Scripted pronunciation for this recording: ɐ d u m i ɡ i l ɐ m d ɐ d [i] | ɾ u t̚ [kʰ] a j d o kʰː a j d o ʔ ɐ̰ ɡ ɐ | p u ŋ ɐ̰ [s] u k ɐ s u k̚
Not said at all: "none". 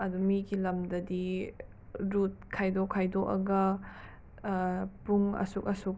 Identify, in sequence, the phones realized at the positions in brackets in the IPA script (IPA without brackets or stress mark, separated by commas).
i, kʰ, s